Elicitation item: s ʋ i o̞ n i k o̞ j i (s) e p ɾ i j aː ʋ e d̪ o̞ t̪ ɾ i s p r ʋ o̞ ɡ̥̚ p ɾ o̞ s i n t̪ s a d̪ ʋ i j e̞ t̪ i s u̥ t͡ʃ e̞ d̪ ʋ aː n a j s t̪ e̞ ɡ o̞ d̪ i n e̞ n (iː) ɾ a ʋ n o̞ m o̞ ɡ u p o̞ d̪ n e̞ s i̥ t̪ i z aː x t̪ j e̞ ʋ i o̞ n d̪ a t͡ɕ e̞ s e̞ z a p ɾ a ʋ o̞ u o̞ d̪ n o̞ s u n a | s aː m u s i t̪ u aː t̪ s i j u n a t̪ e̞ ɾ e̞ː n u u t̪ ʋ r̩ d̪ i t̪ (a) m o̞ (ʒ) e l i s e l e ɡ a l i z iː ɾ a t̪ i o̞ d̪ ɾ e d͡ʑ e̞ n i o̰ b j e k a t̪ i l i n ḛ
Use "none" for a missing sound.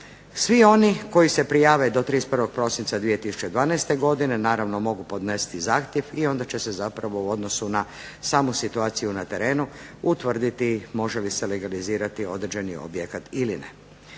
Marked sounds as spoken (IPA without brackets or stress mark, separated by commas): s, aː, i, ʒ